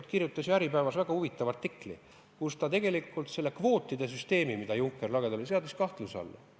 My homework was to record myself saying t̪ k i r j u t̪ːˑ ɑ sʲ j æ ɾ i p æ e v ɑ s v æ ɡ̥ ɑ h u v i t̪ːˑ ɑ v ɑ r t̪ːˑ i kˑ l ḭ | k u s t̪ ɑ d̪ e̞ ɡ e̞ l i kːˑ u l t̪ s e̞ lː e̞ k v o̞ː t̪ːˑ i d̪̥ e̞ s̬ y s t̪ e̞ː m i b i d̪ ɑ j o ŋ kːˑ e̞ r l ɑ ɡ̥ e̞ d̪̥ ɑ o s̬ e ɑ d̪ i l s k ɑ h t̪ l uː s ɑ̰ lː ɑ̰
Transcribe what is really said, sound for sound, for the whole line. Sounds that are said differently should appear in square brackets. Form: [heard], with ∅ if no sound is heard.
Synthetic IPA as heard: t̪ k i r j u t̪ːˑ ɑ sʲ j æ ɾ i p æ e v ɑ s v æ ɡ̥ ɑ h u v i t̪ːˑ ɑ v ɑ r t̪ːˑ i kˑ l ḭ | k u s t̪ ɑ [t̪] e̞ ɡ e̞ l i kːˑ u l t̪ s e̞ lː e̞ k v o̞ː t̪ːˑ i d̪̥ e̞ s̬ y s t̪ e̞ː m i [m] i d̪ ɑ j [u] ŋ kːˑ e̞ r l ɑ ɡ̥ e̞ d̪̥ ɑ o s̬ e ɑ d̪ i [∅] s k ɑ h t̪ l [u] s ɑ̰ lː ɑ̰